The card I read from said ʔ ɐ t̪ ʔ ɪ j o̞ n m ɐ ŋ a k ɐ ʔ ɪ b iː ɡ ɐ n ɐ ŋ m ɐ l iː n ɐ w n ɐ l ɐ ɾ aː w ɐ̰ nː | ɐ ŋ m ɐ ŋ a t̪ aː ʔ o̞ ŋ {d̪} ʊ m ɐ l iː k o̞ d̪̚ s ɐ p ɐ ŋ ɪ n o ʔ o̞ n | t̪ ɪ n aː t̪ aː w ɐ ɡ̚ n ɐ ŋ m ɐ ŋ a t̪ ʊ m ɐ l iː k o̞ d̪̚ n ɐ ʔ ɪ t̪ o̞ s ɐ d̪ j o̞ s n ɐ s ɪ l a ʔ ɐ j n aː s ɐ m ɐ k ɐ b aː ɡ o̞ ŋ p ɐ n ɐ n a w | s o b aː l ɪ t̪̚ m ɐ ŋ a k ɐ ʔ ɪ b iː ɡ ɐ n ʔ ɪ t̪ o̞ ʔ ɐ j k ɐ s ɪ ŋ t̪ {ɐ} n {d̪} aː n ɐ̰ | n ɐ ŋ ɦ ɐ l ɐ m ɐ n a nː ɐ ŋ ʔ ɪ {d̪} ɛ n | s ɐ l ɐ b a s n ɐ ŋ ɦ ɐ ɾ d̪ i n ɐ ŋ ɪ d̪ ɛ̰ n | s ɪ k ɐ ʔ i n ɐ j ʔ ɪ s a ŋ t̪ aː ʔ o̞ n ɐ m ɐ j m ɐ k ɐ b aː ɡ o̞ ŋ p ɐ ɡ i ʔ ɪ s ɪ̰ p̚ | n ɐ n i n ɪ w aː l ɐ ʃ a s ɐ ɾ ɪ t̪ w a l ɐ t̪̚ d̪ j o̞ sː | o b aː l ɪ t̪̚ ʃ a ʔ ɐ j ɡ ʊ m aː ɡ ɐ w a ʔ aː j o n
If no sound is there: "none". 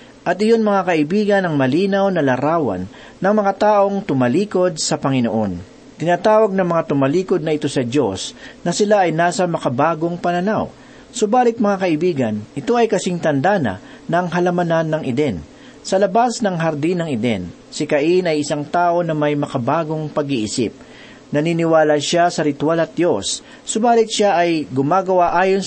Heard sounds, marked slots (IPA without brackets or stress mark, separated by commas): t̪, ɐ, d̪, d̪